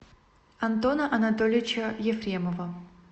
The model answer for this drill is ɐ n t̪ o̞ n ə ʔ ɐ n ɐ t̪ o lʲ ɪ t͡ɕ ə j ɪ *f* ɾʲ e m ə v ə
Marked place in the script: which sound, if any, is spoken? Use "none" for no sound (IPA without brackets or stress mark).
f